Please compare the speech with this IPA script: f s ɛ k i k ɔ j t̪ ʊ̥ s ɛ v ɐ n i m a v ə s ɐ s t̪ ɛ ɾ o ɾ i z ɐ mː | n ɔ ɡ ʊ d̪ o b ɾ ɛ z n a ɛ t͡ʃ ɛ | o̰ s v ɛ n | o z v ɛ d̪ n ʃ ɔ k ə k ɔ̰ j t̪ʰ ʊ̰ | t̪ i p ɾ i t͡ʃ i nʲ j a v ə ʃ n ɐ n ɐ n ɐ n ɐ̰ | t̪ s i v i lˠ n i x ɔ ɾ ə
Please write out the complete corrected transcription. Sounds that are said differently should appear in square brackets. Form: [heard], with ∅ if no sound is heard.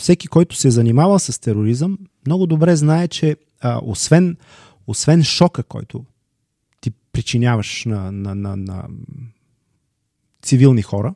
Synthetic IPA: f s ɛ k i k ɔ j t̪ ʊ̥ s ɛ [z] ɐ n i m a v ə s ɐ s t̪ ɛ ɾ o ɾ i z [ə] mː | n ɔ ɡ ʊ d̪ o b ɾ ɛ z n a ɛ t͡ʃ ɛ | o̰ s v ɛ n | o [s] v ɛ [∅] n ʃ ɔ k ə k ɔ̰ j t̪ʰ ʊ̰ | t̪ i p ɾ i t͡ʃ i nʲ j a v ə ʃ n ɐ n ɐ n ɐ n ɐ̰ | t̪ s i v i lˠ n i x ɔ ɾ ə